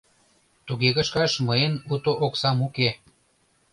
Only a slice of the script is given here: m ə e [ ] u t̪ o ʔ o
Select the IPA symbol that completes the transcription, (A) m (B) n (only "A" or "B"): B